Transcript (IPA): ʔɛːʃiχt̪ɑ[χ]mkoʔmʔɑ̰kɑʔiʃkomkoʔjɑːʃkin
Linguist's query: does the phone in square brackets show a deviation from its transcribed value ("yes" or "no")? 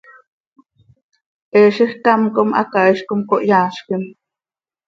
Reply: yes